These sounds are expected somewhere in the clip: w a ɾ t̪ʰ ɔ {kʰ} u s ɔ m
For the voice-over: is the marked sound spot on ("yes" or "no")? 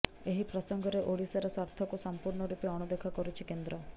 no